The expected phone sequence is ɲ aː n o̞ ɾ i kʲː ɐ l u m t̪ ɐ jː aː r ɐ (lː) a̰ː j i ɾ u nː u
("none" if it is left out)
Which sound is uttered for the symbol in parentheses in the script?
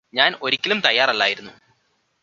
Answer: lː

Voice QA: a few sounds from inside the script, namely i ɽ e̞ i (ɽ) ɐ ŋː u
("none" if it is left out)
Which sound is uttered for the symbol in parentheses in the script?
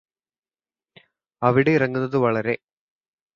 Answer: r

